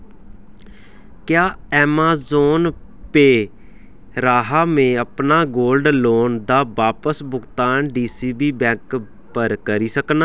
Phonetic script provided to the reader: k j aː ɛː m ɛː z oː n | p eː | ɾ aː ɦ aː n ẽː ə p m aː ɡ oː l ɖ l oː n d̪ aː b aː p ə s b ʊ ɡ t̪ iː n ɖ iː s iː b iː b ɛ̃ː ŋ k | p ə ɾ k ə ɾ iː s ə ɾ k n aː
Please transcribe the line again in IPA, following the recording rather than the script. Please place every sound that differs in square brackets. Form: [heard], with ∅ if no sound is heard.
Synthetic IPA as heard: k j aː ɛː m [aː] z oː n | p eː | ɾ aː ɦ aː [m] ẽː ə p [n] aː ɡ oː l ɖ l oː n d̪ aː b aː p ə s b ʊ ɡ t̪ [aː] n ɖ iː s iː b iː b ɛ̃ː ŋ k | p ə ɾ k ə ɾ iː s ə [∅] k n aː